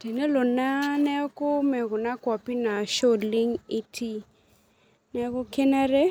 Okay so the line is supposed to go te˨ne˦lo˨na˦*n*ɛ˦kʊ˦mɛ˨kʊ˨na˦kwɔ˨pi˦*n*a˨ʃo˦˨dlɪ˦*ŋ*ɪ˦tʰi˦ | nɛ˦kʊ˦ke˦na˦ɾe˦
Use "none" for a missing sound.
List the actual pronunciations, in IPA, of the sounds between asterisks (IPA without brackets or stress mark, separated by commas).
n, n, ŋ